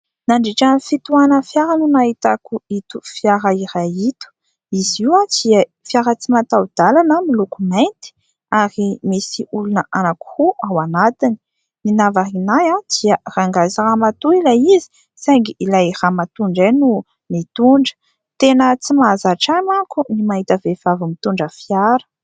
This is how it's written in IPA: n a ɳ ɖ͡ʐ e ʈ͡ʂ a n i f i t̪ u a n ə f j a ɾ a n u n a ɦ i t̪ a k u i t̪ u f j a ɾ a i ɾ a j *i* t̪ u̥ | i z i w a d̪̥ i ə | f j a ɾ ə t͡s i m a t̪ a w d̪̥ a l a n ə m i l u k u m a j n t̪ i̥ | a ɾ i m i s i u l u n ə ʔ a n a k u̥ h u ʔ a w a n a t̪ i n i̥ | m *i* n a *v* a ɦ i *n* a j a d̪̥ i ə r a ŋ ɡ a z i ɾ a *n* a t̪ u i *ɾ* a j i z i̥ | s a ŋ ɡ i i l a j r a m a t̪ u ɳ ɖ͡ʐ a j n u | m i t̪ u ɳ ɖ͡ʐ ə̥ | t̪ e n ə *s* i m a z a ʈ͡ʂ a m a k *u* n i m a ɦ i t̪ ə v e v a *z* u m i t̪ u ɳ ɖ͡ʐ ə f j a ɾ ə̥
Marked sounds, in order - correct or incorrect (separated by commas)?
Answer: correct, correct, correct, correct, incorrect, incorrect, incorrect, correct, incorrect